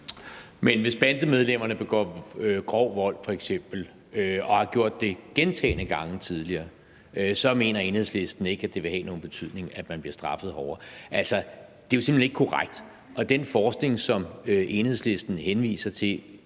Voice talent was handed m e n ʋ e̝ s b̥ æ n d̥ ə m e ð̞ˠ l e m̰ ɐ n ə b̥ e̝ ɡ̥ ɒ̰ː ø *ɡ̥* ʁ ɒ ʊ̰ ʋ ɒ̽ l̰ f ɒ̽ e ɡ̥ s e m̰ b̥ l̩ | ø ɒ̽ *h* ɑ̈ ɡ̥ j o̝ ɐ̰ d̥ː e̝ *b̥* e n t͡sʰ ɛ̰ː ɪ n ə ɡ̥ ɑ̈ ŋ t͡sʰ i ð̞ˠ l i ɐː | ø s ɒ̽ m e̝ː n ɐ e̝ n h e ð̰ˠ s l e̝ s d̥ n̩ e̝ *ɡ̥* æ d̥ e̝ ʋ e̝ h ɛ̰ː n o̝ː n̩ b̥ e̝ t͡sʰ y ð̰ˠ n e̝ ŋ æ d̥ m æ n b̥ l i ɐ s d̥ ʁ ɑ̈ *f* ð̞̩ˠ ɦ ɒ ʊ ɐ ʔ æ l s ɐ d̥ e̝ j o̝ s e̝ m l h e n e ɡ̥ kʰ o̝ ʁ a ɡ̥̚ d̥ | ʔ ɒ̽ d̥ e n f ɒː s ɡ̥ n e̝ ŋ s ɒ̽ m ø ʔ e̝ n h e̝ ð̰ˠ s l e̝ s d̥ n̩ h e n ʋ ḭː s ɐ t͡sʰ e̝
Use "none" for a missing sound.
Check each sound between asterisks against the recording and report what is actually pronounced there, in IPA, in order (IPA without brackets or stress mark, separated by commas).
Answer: ɡ̥, h, ɡ̥, ɡ̥, f